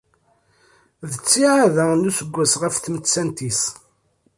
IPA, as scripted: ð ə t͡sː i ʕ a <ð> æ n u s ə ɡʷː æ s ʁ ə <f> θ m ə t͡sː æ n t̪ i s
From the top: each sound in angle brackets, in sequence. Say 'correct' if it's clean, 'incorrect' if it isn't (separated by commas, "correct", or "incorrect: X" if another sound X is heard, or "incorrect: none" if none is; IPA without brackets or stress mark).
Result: correct, correct